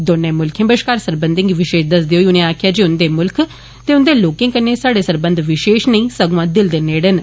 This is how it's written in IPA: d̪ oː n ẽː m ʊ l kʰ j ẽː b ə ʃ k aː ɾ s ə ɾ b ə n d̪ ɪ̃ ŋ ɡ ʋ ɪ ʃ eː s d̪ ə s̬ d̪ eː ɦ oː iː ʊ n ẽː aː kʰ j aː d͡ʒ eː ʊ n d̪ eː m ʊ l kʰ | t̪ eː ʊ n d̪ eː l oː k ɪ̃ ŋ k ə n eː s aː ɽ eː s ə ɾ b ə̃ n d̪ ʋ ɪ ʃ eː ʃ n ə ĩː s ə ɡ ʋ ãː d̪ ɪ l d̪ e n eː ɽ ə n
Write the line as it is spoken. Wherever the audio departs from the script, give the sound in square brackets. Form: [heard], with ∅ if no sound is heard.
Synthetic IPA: d̪ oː n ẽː m ʊ l kʰ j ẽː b ə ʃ k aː ɾ s ə ɾ b ə n d̪ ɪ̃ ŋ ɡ ʋ ɪ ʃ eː [ʃ] d̪ ə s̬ d̪ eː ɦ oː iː ʊ n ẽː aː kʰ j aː d͡ʒ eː ʊ n d̪ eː m ʊ l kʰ | t̪ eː ʊ n d̪ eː l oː k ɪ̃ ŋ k ə n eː s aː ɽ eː s ə ɾ b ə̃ n d̪ ʋ ɪ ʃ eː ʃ n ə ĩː s ə ɡ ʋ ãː d̪ ɪ l d̪ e n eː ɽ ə n